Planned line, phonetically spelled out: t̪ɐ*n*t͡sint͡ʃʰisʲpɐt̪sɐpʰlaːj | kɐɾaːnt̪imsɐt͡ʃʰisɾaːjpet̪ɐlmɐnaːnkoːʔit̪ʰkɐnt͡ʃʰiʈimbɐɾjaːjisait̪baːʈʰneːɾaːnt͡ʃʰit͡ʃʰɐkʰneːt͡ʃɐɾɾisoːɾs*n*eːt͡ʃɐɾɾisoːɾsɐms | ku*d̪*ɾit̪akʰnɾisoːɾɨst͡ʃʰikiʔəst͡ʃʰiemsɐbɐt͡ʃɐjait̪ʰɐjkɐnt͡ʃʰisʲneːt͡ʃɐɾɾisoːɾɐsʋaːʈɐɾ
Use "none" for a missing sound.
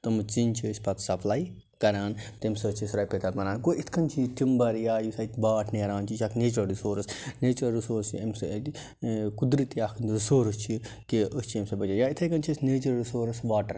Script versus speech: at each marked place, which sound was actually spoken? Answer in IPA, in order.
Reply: m, n, d̪

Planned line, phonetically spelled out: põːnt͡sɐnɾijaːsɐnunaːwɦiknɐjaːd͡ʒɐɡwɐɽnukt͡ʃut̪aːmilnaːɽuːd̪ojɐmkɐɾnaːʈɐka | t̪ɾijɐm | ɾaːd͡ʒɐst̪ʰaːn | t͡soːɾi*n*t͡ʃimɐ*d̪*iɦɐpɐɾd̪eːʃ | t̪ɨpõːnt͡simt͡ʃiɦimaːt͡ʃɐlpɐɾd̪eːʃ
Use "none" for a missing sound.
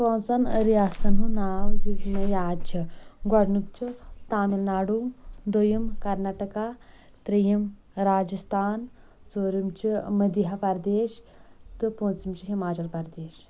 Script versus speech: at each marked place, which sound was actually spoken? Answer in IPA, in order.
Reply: m, d̪

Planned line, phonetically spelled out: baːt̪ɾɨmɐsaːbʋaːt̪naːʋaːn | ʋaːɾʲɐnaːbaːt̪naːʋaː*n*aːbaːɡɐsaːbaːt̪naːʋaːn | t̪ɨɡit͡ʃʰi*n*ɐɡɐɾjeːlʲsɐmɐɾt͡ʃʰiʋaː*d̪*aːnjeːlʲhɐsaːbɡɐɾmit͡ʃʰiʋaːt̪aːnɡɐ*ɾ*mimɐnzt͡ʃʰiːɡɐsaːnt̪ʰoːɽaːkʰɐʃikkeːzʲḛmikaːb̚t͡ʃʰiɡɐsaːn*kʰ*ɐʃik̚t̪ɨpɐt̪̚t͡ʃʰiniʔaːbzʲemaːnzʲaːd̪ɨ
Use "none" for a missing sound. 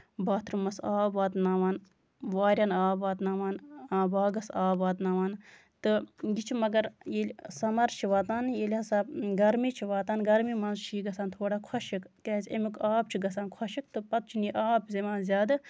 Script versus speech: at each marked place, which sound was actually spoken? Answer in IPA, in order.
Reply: n, m, t̪, ɾ, kʰ

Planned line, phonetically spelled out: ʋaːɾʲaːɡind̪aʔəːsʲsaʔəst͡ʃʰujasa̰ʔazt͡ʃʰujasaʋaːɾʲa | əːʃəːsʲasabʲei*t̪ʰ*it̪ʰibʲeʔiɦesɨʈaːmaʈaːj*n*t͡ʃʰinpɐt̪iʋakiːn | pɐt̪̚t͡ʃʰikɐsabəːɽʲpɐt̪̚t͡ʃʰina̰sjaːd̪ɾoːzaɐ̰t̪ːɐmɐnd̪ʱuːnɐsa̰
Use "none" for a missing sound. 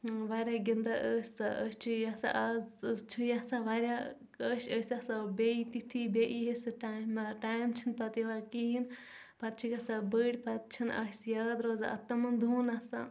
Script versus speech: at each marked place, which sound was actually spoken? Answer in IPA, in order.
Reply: t̪, m

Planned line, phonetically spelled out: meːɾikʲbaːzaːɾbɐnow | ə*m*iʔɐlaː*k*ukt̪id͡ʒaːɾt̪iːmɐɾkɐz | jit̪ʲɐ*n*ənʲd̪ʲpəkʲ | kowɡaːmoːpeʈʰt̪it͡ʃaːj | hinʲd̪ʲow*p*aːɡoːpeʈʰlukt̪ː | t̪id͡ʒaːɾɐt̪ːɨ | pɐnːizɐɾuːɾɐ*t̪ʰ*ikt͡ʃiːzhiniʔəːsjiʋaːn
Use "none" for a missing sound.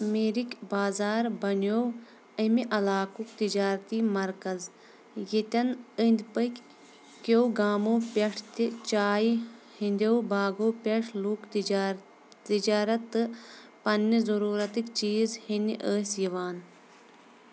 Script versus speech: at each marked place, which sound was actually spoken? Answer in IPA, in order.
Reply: m, k, n, b, t̪

